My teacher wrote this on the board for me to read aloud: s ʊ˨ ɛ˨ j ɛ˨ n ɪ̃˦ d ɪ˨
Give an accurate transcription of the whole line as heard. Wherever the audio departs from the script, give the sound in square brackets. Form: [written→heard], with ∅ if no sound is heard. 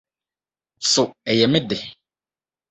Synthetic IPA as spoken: s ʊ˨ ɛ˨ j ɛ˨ [n→m] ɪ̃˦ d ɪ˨